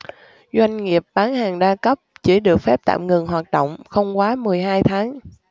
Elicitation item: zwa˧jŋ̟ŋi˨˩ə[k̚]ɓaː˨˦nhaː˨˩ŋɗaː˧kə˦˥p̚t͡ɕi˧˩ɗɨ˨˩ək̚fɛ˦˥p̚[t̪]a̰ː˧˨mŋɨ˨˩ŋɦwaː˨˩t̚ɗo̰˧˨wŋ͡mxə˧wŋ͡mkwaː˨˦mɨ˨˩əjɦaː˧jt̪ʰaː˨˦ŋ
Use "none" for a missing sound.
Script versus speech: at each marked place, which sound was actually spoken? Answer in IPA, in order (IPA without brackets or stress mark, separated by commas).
p̚, t̪